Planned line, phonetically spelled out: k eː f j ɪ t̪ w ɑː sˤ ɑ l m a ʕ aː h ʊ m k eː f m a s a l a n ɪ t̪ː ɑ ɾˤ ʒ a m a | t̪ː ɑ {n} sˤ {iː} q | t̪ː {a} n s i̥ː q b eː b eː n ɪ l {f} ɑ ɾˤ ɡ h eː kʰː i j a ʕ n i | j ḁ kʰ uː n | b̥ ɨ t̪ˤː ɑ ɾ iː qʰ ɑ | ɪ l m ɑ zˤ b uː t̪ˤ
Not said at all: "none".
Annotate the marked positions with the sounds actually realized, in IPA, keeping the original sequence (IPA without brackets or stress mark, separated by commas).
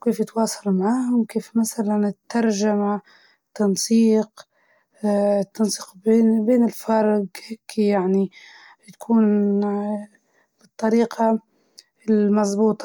n, iː, ɑ, f